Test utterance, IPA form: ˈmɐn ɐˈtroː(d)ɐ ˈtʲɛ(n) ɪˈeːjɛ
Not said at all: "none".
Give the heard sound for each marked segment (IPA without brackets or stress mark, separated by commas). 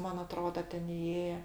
d, n